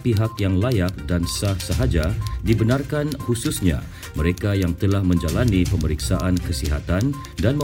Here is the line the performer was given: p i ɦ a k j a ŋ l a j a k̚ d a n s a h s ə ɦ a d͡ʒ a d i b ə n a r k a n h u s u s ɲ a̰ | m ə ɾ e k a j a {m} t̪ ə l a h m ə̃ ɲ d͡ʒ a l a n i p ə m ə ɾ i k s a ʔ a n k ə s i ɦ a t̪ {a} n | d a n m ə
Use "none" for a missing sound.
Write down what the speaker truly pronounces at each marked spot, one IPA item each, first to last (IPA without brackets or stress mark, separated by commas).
ŋ, a